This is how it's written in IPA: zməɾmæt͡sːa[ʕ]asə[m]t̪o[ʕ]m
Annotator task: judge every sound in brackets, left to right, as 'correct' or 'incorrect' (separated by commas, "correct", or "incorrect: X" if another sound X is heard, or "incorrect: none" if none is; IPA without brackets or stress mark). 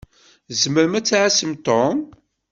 correct, correct, incorrect: none